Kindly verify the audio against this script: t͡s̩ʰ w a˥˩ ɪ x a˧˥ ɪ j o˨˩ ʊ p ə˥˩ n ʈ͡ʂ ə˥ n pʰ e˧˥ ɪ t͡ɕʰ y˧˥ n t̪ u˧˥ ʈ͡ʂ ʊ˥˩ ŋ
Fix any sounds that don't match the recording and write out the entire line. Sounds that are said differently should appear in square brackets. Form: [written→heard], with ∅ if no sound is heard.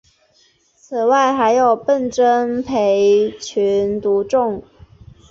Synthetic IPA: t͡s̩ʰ w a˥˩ ɪ x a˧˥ ɪ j o˨˩ ʊ p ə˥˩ n ʈ͡ʂ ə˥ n pʰ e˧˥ ɪ t͡ɕʰ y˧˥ n t̪ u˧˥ ʈ͡ʂ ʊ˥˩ ŋ